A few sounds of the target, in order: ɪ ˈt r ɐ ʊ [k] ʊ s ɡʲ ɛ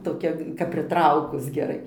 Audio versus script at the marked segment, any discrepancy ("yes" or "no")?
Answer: no